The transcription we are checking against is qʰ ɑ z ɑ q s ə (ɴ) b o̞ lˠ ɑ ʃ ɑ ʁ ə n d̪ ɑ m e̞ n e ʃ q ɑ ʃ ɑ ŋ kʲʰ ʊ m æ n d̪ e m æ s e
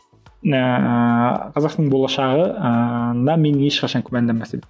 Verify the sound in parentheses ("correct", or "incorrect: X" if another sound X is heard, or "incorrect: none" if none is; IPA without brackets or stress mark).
correct